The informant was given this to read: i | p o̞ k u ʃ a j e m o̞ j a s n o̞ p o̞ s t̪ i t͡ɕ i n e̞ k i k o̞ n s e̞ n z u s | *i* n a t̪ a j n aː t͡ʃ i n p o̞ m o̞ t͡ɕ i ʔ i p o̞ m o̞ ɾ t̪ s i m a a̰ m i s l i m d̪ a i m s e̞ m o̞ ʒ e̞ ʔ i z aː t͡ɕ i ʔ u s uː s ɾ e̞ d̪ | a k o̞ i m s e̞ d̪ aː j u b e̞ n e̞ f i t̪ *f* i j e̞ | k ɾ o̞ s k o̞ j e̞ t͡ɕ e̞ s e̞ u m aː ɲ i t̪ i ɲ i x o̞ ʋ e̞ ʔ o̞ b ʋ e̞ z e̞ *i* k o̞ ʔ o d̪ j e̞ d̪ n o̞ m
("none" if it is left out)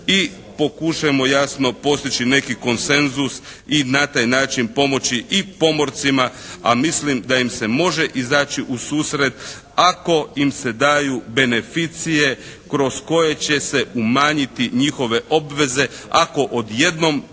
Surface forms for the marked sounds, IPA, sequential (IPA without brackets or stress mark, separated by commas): i, s, a